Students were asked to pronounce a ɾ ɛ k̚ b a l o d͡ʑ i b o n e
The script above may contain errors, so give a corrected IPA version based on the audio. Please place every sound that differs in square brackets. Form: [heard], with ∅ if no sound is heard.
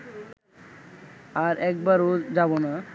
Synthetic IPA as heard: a ɾ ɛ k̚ b a [ɾ] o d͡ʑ [a] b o n [a]

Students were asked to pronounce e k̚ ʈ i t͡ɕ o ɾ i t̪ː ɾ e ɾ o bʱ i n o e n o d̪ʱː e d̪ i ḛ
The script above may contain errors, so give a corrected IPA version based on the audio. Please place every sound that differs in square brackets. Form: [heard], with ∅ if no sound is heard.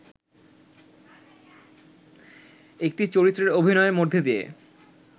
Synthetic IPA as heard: e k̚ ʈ i t͡ɕ o ɾ i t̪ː ɾ e ɾ o bʱ i n [ɔ] e [m] o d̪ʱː e d̪ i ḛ

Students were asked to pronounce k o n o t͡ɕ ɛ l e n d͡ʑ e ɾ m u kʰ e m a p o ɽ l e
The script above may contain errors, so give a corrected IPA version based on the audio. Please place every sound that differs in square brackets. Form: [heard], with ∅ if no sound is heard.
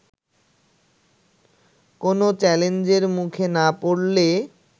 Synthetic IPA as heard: k o n o t͡ɕ ɛ l e n d͡ʑ e ɾ m u kʰ e [n] a p o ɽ l e

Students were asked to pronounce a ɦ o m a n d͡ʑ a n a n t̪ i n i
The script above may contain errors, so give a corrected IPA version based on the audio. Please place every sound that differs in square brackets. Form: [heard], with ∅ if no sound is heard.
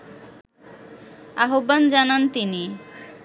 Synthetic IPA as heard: a ɦ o [b] a n d͡ʑ a n a n t̪ i n i

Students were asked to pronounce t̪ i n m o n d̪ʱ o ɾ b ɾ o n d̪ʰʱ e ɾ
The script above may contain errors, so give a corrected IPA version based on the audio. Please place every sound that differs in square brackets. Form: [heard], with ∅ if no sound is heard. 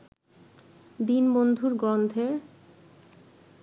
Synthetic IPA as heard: [d̪] i n [b] o n d̪ʱ [u] ɾ [ɡ] ɾ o n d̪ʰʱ e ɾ

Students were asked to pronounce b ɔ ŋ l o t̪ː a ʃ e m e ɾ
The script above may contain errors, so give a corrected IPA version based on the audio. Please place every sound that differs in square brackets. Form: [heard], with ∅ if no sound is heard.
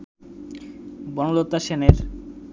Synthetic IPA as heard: b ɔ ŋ l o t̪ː a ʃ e [n] e ɾ

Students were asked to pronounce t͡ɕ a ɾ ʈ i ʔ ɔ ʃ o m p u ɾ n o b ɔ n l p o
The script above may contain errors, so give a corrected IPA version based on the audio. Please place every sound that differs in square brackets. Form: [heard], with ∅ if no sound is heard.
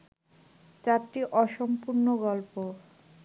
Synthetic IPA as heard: t͡ɕ a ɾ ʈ i ʔ ɔ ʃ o m p u ɾ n o [ɡ] ɔ [∅] l p o

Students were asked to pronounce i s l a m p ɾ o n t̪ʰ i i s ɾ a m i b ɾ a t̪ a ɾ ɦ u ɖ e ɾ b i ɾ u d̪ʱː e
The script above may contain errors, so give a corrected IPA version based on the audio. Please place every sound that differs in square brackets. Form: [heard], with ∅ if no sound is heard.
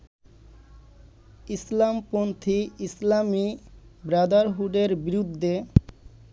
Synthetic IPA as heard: i s l a m p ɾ o n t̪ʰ i i s [l] a m i b ɾ a [d̪] a ɾ ɦ u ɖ e ɾ b i ɾ u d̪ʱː e

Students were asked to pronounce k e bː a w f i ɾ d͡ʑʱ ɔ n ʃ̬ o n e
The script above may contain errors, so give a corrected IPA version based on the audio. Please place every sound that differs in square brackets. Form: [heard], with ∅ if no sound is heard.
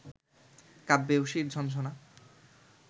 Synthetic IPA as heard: k [a] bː [e] w [ʃ] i ɾ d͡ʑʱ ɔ n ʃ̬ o n [a]

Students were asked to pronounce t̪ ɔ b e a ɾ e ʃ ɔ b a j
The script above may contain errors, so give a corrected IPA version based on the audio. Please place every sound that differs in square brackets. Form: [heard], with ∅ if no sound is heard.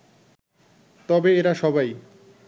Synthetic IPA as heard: t̪ ɔ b e [e] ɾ [a] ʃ ɔ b a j

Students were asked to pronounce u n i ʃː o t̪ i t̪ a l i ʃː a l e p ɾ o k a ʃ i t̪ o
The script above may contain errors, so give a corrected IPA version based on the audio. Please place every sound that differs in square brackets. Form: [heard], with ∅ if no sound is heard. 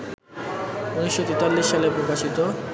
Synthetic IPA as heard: u n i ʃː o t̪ i t̪ a [lː] i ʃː a l e p ɾ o k a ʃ i t̪ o

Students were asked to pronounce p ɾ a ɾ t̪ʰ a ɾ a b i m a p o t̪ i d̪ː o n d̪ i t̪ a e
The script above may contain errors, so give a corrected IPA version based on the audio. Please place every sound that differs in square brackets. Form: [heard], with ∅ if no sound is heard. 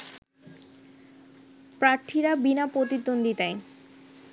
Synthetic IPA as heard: p ɾ a ɾ t̪ʰ [i] ɾ a b i [n] a p o t̪ i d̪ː o n d̪ i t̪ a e

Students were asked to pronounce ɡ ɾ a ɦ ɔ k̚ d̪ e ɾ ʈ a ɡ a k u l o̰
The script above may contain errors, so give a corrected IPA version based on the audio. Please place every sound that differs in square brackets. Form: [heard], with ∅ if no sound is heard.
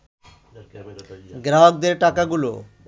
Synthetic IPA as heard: ɡ ɾ a ɦ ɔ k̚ d̪ e ɾ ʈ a [k] a [ɡ] u l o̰

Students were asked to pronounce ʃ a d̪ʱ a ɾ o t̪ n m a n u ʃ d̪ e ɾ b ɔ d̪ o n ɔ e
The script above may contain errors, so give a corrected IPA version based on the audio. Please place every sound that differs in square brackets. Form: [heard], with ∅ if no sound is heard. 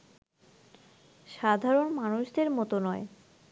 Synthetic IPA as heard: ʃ a d̪ʱ a ɾ o [∅] n m a n u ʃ d̪ e ɾ [m] ɔ [t̪] o n ɔ e

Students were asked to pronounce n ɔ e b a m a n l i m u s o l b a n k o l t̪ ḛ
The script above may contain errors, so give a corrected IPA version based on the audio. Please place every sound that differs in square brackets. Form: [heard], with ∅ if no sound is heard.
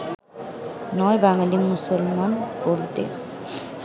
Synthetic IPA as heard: n ɔ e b a [ŋ] a [∅] l i m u s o l [m] a n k o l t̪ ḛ

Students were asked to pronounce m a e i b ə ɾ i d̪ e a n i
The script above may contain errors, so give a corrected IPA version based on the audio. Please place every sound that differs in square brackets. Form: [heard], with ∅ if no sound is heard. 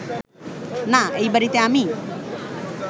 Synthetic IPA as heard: [n] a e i b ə ɾ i [t̪] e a [m] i

